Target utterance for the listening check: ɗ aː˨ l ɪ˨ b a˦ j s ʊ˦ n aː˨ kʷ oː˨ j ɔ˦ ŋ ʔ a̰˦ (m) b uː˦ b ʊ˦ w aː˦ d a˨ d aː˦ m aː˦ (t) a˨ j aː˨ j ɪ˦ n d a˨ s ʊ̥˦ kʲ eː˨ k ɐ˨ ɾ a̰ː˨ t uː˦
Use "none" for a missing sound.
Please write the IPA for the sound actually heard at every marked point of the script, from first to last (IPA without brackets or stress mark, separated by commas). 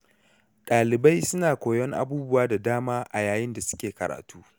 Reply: none, ʔ